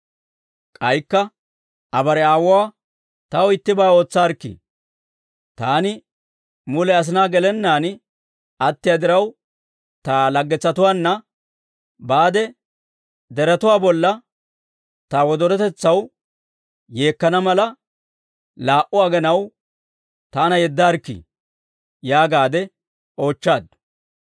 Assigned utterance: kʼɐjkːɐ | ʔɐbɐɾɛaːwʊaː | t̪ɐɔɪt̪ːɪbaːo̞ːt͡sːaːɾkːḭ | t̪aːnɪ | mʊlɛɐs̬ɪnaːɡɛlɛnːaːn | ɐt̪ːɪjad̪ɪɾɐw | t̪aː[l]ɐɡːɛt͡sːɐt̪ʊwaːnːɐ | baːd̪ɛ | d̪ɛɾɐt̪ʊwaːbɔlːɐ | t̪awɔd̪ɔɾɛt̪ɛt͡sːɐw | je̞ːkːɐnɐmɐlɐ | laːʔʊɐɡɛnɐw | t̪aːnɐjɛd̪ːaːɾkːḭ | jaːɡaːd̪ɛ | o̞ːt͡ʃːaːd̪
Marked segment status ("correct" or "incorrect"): correct